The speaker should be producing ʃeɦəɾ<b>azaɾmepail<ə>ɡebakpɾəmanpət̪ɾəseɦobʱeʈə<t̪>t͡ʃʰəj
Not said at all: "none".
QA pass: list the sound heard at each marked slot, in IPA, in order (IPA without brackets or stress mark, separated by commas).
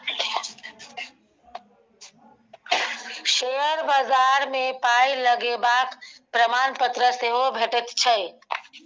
b, ə, t̪